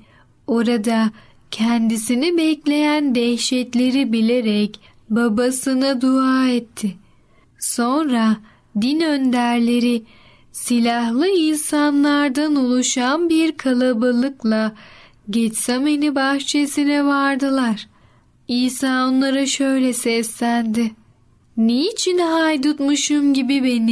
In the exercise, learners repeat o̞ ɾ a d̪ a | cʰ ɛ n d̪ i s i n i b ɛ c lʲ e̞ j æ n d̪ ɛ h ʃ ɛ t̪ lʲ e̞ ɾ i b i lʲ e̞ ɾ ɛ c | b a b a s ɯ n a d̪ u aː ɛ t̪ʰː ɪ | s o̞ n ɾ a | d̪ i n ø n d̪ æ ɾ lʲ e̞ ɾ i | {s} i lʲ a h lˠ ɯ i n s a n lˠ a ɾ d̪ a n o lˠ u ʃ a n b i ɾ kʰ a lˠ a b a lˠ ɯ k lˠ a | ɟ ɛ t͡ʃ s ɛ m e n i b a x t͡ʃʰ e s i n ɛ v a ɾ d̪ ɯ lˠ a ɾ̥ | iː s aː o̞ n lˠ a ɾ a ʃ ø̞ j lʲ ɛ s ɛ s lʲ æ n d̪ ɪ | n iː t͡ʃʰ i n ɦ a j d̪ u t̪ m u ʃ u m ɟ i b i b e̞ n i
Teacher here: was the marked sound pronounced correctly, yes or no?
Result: yes